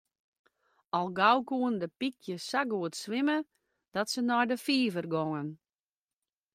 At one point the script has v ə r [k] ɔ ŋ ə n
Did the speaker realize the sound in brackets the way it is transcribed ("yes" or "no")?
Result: no